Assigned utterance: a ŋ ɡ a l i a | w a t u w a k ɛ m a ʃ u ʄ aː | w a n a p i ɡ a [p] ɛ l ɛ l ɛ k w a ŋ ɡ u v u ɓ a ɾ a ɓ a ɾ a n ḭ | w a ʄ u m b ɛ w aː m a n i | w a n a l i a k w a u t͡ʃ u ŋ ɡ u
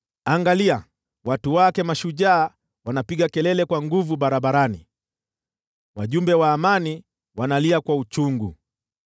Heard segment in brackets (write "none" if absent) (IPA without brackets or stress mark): k